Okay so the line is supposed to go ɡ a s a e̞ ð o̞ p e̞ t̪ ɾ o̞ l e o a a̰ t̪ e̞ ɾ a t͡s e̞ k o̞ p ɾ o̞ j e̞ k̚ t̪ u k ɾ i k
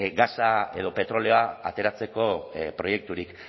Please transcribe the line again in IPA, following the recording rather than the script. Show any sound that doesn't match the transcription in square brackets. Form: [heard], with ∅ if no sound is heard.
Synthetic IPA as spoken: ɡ a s a e̞ ð o̞ p e̞ t̪ ɾ o̞ l e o a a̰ t̪ e̞ ɾ a t͡s e̞ k o̞ p ɾ o̞ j e̞ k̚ t̪ u [∅] ɾ i k